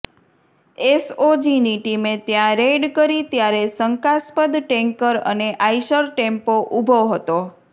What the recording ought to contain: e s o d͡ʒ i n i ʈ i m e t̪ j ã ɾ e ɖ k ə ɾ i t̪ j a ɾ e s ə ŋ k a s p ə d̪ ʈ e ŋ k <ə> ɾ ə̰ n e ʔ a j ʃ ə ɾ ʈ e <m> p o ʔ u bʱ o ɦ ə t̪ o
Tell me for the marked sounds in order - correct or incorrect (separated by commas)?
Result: correct, correct